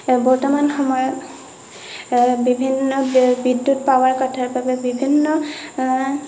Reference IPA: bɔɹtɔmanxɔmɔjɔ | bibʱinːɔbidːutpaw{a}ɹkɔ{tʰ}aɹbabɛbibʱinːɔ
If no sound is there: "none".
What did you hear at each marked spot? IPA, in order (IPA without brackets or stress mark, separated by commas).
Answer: a, tʰ